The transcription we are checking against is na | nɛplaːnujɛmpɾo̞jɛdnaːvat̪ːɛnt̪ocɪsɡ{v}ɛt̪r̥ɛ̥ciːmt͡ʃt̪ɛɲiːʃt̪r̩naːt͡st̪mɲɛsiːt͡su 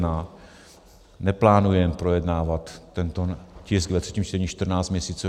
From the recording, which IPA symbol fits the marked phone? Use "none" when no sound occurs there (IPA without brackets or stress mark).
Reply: v